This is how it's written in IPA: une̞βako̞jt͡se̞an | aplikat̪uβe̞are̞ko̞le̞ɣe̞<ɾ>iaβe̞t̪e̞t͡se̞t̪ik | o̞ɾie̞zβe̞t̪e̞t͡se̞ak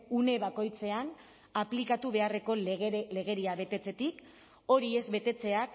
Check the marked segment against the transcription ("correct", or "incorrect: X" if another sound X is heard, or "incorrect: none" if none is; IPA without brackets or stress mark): correct